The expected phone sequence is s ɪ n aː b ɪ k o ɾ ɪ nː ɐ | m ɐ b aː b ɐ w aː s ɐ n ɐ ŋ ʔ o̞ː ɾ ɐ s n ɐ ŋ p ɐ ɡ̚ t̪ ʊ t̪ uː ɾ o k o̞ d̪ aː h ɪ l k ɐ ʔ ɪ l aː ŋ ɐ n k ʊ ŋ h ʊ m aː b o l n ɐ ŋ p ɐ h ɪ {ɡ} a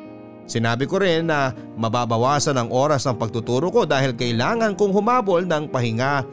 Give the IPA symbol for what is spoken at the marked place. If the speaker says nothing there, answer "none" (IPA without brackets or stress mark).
ŋ